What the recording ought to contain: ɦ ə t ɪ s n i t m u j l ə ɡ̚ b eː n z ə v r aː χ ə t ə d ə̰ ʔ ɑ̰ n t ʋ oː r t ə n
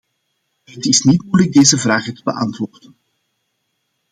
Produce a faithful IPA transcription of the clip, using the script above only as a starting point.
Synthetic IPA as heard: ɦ ə t ɪ s n i t m u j l ə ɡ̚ d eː z ə v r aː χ ə t ə b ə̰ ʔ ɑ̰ n t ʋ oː r d ə n